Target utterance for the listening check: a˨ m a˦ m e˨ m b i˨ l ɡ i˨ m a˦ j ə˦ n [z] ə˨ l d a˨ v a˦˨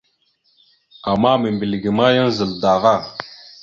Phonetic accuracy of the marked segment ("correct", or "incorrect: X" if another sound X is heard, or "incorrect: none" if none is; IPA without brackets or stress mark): correct